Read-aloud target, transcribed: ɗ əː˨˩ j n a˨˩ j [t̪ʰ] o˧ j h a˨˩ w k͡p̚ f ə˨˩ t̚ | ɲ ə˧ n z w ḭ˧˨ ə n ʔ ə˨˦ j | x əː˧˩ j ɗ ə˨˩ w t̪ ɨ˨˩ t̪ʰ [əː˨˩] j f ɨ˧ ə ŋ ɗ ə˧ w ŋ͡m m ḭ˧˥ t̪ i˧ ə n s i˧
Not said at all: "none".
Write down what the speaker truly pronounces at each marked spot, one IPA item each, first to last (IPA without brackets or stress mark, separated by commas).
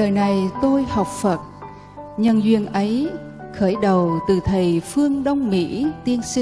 t̪, ə˨˩